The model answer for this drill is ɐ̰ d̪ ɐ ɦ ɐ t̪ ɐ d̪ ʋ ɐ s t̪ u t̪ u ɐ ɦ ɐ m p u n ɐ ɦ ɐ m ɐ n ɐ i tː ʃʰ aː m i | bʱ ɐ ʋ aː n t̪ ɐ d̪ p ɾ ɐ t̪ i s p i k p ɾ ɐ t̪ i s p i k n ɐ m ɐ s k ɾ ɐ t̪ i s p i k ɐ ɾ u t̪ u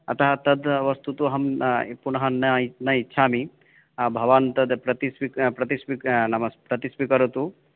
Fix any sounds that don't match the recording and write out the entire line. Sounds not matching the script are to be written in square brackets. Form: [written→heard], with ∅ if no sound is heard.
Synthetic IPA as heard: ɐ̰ [d̪→t̪] ɐ ɦ ɐ t̪ ɐ d̪ ʋ ɐ s t̪ u t̪ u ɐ ɦ ɐ m p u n ɐ ɦ ɐ [m→n] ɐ n ɐ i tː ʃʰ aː m i | bʱ ɐ ʋ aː n t̪ ɐ d̪ p ɾ ɐ t̪ i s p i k p ɾ ɐ t̪ i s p i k n ɐ m ɐ s [k→p] ɾ ɐ t̪ i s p i k ɐ ɾ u t̪ u